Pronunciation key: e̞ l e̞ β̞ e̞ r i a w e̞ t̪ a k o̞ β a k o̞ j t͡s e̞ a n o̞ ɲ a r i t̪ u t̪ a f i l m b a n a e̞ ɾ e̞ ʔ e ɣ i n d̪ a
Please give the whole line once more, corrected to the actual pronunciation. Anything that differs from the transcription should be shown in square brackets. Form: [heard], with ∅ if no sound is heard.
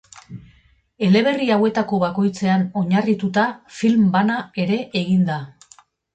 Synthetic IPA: e̞ l e̞ β̞ e̞ r i a w e̞ t̪ a k o̞ β a k o̞ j t͡s e̞ a n o̞ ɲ a r i t̪ u t̪ a f i l m b a n a e̞ ɾ e̞ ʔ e ɣ i n d̪ a

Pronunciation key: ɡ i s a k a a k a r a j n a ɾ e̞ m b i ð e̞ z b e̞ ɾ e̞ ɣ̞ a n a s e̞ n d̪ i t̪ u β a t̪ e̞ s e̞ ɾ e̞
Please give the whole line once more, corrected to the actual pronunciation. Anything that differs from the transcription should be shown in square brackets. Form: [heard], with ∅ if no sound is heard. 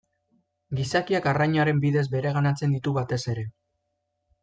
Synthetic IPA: ɡ i s a k [i] a k a r a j [ɲ] a ɾ e̞ m b i ð e̞ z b e̞ ɾ e̞ ɣ̞ a n a [t͡s] e̞ n d̪ i t̪ u β a t̪ e̞ s e̞ ɾ e̞

